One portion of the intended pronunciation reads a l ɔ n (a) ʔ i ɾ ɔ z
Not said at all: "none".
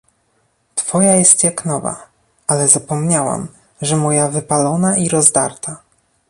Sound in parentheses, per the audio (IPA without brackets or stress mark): a